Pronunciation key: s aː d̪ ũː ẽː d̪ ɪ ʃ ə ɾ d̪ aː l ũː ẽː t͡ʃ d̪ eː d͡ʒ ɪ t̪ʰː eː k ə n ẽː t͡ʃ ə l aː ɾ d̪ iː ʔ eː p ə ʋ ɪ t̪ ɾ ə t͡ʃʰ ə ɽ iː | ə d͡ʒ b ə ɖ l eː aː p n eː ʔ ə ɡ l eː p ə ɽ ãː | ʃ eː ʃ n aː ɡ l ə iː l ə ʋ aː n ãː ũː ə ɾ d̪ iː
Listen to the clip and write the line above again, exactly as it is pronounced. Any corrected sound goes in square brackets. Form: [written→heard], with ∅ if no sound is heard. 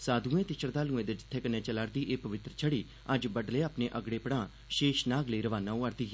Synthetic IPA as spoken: s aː d̪ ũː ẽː [d̪→t̪] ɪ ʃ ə ɾ d̪ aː l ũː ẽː [t͡ʃ→∅] d̪ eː d͡ʒ ɪ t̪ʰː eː k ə n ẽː t͡ʃ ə l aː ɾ d̪ iː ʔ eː p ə ʋ ɪ t̪ ɾ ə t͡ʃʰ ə ɽ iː | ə d͡ʒ b ə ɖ l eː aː p n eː ʔ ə ɡ [l→ɽ] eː p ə ɽ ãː | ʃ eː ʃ n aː ɡ l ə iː [l→ɾ] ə ʋ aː n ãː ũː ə ɾ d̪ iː